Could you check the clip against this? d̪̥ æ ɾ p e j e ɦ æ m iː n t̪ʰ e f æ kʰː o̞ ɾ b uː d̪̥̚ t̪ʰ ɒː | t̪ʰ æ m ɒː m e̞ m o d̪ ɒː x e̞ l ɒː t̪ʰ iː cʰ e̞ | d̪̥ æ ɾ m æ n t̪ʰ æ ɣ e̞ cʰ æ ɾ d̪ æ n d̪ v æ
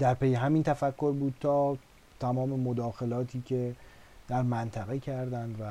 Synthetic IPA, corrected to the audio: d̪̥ æ ɾ p e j e ɦ æ m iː n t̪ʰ æ f æ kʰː o̞ ɾ b uː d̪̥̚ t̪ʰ ɒː | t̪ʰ æ m ɒː m e̞ m o d̪ ɒː x e̞ l ɒː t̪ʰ iː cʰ e̞ | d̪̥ æ ɾ m æ n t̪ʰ æ ɣ e̞ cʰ æ ɾ d̪ æ n d̪ v æ